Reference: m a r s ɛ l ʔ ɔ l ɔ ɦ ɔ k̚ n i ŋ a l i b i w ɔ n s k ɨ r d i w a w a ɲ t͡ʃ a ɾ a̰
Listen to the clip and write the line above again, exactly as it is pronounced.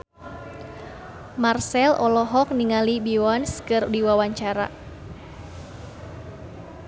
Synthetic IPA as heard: m a r s ɛ l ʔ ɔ l ɔ ɦ ɔ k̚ n i ŋ a l i b i w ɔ n s k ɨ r d i w a w a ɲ t͡ʃ a ɾ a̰